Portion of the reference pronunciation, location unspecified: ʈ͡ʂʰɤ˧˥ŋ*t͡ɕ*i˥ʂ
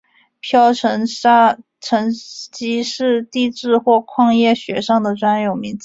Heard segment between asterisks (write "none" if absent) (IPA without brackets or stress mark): t͡ɕ